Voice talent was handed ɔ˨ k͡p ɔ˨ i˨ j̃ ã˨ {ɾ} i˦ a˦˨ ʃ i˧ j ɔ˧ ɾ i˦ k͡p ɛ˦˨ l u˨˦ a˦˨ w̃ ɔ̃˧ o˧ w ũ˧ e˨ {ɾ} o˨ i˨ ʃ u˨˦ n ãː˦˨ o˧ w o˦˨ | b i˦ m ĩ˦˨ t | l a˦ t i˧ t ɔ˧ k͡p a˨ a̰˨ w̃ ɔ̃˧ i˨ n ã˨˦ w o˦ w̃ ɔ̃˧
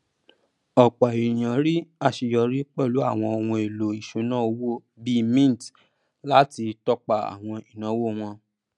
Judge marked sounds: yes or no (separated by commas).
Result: yes, no